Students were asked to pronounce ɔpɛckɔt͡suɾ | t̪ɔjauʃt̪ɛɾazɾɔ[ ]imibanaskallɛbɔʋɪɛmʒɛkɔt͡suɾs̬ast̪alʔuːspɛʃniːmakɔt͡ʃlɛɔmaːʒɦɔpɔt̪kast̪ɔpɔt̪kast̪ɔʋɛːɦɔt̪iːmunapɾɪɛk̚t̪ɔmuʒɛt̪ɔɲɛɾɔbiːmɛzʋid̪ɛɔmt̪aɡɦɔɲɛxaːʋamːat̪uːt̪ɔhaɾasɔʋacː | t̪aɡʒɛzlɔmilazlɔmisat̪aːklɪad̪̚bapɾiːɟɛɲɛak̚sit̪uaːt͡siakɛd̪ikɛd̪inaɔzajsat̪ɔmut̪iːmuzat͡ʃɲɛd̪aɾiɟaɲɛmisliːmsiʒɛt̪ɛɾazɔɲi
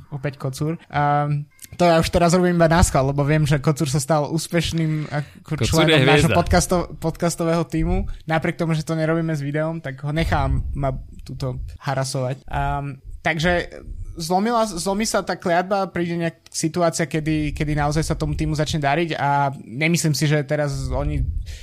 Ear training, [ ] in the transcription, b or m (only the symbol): b